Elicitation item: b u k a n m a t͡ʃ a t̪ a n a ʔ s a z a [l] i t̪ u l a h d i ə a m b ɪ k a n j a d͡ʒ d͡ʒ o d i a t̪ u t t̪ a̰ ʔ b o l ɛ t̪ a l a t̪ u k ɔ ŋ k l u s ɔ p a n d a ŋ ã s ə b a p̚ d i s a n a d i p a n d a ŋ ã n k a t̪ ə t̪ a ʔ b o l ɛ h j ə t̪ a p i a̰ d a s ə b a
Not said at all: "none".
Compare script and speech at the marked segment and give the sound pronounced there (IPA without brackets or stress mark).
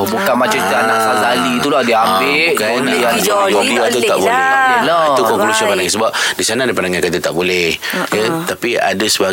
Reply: l